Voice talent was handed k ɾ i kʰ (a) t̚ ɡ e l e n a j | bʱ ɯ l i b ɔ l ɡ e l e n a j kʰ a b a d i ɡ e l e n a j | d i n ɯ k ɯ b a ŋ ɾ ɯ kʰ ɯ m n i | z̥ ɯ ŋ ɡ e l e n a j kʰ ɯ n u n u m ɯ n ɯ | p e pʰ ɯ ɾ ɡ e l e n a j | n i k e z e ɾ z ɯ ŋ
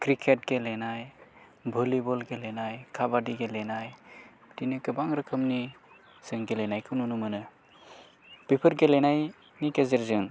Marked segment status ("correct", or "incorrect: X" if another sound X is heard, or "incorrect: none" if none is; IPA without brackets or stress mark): incorrect: e